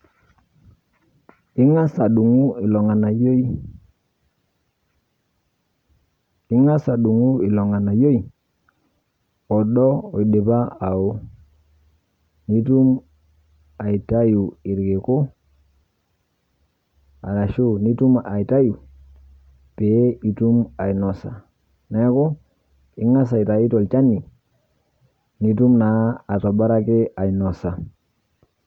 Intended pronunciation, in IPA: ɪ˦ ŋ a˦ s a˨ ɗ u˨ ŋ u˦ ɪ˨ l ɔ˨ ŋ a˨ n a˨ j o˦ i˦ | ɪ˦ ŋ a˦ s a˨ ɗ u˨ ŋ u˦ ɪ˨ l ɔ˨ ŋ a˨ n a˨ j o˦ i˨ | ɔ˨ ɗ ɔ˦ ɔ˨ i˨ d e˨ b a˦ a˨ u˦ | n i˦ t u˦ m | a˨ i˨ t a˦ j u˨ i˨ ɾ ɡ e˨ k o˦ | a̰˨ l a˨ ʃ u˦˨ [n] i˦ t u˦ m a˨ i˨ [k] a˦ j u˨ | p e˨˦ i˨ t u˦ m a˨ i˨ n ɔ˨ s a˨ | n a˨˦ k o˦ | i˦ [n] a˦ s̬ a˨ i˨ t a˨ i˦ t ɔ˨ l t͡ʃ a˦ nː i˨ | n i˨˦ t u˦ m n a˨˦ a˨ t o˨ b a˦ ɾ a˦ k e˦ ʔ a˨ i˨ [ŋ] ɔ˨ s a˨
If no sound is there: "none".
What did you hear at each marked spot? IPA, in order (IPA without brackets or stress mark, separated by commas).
n, t, ŋ, n